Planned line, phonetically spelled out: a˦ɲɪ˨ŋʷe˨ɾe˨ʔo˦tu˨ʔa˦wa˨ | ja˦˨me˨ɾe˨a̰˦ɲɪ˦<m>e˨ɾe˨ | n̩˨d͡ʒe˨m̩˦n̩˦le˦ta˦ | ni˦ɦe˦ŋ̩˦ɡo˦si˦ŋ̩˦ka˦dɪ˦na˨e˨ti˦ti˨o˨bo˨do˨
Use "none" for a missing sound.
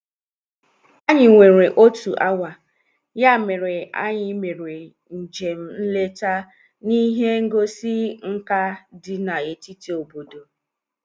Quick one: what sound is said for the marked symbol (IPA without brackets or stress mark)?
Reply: m